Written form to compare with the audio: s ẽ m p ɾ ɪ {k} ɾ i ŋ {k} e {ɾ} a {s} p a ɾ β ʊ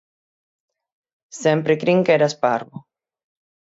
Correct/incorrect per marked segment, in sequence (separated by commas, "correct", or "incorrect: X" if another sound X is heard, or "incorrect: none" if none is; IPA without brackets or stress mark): correct, correct, correct, correct